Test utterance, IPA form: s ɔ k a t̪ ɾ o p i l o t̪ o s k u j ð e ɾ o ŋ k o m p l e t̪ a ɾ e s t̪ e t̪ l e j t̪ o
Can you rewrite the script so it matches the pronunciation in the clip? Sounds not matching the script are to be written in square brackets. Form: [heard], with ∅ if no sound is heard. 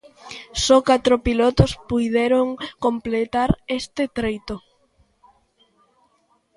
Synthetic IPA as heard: s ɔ k a t̪ ɾ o p i l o t̪ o s [p] u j ð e ɾ o ŋ k o m p l e t̪ a ɾ e s t̪ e t̪ [ɾ] e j t̪ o